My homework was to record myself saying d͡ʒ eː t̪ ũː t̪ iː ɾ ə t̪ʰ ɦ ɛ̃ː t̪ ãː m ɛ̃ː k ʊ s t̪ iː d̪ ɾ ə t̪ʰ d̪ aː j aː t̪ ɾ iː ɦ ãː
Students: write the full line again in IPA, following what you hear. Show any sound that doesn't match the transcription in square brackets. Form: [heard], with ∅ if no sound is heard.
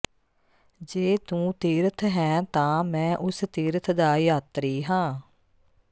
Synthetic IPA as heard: d͡ʒ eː t̪ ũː t̪ iː ɾ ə t̪ʰ ɦ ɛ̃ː t̪ ãː m ɛ̃ː [ʔ] ʊ s t̪ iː [∅] ɾ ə t̪ʰ d̪ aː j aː t̪ ɾ iː ɦ ãː